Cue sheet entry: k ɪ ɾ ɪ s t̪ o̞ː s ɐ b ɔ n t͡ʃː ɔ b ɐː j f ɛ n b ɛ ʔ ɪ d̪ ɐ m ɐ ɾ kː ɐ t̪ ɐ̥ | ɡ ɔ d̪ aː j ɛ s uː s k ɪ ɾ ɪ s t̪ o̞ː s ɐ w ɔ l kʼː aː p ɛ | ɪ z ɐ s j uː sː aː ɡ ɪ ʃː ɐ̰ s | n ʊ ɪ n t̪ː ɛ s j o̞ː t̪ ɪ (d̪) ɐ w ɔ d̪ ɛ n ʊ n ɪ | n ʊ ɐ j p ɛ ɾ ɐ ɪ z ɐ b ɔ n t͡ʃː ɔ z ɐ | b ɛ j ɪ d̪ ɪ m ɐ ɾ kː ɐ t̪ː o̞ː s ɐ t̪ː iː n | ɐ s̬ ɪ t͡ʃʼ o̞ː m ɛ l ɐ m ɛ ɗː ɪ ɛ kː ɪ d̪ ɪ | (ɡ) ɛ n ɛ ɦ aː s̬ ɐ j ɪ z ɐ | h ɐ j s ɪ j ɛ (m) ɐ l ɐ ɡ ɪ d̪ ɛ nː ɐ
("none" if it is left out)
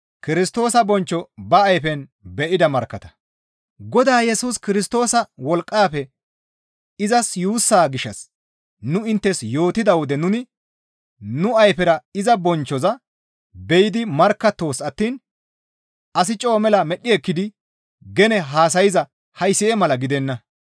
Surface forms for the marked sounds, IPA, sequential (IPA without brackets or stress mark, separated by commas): d̪, ɡ, m